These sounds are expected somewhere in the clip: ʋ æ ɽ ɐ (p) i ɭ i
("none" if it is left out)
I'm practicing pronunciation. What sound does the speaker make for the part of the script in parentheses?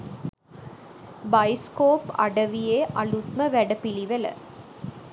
p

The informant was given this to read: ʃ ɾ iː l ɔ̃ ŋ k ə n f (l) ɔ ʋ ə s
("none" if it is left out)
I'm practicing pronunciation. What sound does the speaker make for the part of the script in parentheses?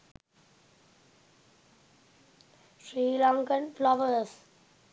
l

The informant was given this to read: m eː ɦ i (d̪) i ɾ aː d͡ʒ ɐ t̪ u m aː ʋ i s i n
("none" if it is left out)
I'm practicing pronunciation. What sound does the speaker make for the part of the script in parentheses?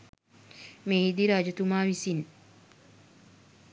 d̪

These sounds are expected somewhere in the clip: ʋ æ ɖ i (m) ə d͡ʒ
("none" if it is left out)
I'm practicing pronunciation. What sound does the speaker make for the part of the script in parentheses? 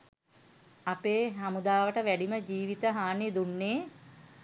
m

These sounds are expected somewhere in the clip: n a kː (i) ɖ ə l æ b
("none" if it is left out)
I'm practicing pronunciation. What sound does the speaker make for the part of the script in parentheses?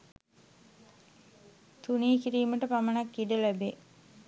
i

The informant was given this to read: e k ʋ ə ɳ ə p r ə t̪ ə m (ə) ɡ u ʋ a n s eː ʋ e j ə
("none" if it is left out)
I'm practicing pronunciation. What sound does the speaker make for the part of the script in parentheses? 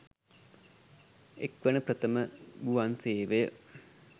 ə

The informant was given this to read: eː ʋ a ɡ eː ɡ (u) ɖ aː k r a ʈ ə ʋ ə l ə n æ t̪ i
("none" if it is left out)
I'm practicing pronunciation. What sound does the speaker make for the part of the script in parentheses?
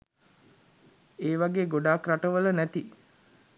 o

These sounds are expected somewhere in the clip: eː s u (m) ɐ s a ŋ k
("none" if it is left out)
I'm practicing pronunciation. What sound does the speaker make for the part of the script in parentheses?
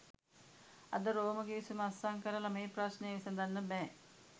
m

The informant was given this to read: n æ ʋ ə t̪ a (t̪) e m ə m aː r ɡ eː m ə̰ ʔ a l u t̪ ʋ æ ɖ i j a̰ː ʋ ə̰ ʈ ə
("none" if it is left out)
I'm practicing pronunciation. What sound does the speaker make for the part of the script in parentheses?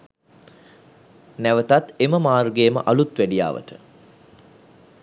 t̪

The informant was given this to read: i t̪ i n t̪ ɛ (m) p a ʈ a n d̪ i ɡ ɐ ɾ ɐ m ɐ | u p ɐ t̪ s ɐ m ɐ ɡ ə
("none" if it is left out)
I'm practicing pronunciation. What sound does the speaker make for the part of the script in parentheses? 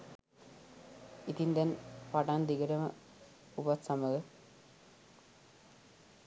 n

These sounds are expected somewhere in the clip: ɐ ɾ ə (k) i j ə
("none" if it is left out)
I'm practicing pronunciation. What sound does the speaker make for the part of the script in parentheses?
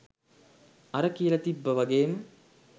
k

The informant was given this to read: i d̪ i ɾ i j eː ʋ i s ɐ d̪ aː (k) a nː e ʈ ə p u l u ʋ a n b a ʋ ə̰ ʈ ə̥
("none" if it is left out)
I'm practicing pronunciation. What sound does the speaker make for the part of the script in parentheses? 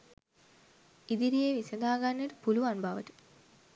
ɡ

